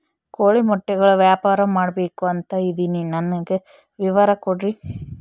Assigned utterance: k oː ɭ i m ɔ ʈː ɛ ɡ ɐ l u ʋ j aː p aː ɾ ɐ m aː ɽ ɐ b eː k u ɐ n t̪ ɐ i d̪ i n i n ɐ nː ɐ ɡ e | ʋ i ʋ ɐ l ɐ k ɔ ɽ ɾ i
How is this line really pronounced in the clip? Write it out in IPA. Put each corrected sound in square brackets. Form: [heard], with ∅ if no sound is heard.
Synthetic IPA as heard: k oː ɭ i m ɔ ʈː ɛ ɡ ɐ [ɭ] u ʋ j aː p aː ɾ ɐ m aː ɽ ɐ b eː k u ɐ n t̪ ɐ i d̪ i n i n ɐ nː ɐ ɡ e | ʋ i ʋ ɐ [ɾ] ɐ k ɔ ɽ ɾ i